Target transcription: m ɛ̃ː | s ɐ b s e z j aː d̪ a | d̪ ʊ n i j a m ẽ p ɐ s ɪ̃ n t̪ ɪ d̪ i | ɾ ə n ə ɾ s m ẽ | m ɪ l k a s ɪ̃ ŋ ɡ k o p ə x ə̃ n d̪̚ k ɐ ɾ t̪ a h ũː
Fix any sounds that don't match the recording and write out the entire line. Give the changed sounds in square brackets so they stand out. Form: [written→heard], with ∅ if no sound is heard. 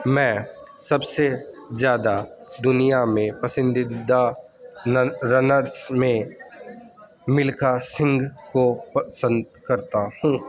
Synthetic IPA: m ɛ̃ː | s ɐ b s e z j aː d̪ a | d̪ ʊ n i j a m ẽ p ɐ s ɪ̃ n [t̪→d̪] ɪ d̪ [i→a] | ɾ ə n ə ɾ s m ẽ | m ɪ l k a s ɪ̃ ŋ ɡ k o p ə [x→s] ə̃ n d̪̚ k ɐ ɾ t̪ a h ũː

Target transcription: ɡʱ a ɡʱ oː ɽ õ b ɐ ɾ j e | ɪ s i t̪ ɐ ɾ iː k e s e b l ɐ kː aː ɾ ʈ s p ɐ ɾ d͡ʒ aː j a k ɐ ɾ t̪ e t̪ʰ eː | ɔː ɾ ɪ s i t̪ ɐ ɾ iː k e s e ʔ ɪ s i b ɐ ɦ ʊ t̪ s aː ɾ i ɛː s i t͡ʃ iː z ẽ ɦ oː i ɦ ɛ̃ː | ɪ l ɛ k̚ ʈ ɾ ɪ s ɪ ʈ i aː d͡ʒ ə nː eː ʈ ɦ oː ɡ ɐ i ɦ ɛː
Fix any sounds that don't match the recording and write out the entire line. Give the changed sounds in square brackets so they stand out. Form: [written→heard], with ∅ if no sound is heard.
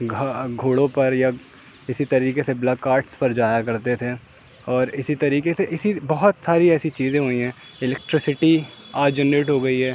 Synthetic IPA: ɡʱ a ɡʱ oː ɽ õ [b→p] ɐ ɾ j [e→a] | ɪ s i t̪ ɐ ɾ iː k e s e b l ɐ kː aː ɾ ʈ s p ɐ ɾ d͡ʒ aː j a k ɐ ɾ t̪ e t̪ʰ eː | ɔː ɾ ɪ s i t̪ ɐ ɾ iː k e s e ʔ ɪ s i b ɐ ɦ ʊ t̪ s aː ɾ i ɛː s i t͡ʃ iː z ẽ ɦ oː i ɦ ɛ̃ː | ɪ l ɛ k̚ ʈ ɾ ɪ s ɪ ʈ i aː d͡ʒ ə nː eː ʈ ɦ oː ɡ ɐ i ɦ ɛː

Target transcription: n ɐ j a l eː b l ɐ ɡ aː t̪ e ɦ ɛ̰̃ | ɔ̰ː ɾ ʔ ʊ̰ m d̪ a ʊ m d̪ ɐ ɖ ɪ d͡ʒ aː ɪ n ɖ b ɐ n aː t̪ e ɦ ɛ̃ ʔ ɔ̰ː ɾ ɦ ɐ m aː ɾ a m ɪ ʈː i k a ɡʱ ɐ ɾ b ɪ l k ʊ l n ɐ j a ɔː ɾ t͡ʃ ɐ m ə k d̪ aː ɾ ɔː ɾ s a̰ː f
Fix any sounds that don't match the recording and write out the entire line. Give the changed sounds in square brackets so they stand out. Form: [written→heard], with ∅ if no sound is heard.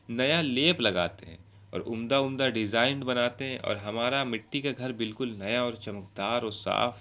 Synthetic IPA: n ɐ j a l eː [b→p] l ɐ ɡ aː t̪ e ɦ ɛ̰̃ | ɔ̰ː ɾ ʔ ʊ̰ m d̪ a ʊ m d̪ [ɐ→a] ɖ ɪ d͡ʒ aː ɪ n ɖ b ɐ n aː t̪ e ɦ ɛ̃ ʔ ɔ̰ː ɾ ɦ ɐ m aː ɾ a m ɪ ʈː i k a ɡʱ ɐ ɾ b ɪ l k ʊ l n ɐ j a ɔː ɾ t͡ʃ ɐ m ə k d̪ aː ɾ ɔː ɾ s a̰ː f

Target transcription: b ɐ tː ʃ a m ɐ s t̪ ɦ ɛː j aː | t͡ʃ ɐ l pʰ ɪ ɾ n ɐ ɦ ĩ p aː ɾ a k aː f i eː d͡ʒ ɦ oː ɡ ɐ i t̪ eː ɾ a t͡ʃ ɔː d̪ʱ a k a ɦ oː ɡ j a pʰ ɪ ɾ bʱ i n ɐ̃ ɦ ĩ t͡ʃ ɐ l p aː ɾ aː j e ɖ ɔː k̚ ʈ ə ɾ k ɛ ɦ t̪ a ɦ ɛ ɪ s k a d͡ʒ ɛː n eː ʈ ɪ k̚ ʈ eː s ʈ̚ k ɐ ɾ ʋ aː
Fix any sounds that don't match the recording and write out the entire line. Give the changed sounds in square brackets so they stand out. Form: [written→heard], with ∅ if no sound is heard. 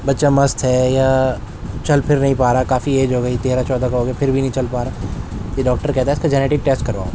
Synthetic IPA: b ɐ tː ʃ a m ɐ s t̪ ɦ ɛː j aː | t͡ʃ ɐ l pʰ ɪ ɾ n ɐ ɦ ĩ p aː ɾ a k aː f i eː d͡ʒ ɦ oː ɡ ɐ i t̪ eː ɾ a t͡ʃ ɔː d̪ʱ a k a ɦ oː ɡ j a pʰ ɪ ɾ bʱ i n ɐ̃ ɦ ĩ t͡ʃ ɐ l p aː ɾ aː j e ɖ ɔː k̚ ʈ ə ɾ k ɛ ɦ t̪ a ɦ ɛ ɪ s k a d͡ʒ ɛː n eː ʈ ɪ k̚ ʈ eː s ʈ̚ k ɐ ɾ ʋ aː

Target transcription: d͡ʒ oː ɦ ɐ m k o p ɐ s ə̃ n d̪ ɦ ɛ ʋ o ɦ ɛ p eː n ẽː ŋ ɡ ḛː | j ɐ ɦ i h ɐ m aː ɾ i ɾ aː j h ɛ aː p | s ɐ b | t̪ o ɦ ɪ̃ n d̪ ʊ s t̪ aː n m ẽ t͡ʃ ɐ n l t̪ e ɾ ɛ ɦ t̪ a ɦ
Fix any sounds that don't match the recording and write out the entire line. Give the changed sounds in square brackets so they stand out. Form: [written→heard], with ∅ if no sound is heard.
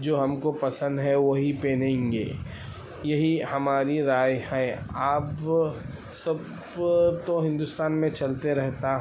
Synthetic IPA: d͡ʒ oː ɦ ɐ m k o p ɐ s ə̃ n d̪ ɦ ɛ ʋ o ɦ [ɛ→i] p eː n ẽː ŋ ɡ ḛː | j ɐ ɦ i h ɐ m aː ɾ i ɾ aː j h ɛ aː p | s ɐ b | t̪ o ɦ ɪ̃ n d̪ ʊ s t̪ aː n m ẽ t͡ʃ ɐ [n→∅] l t̪ e ɾ ɛ ɦ t̪ a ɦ

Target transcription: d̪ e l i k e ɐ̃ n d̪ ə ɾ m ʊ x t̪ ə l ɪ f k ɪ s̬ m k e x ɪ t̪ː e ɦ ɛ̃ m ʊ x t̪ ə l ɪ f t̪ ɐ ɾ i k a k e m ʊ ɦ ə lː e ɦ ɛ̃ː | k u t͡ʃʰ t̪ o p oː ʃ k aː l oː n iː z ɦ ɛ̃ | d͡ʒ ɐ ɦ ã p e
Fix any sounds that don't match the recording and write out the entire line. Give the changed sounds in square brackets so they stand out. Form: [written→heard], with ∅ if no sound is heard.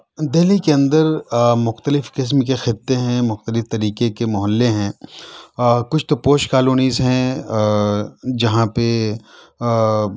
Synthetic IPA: d̪ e l i k e ɐ̃ n d̪ ə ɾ m ʊ x t̪ ə l ɪ f k ɪ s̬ m k e x ɪ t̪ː e ɦ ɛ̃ m ʊ x t̪ ə l ɪ f t̪ ɐ ɾ [i→iː] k [a→e] k e m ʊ ɦ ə lː e ɦ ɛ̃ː | k [u→ʊ] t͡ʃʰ t̪ o p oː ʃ k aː l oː n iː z ɦ ɛ̃ | d͡ʒ ɐ ɦ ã p e

